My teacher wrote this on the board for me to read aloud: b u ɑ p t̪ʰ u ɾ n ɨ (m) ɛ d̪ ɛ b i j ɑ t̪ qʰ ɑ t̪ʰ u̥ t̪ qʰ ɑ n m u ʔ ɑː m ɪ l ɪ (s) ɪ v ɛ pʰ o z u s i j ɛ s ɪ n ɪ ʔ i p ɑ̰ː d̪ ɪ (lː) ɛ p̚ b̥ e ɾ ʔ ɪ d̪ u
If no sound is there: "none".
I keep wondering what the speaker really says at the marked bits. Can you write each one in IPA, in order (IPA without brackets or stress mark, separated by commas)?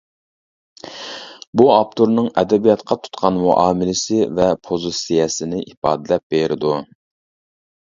ŋ, s, l